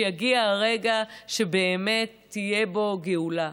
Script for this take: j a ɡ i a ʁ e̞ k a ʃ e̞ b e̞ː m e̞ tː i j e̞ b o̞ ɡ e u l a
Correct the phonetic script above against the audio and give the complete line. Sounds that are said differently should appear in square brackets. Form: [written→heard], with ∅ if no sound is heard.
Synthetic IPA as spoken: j a ɡ i a ʁ e̞ [k→ɡ] a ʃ e̞ b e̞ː m e̞ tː i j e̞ b o̞ ɡ e u l a